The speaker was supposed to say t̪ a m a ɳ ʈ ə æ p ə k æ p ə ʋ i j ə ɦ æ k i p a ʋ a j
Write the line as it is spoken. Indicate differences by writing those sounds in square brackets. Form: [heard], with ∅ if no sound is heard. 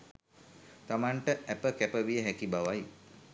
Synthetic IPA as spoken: t̪ a m a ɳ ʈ ə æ p ə k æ p ə ʋ i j ə ɦ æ k i [b] a ʋ a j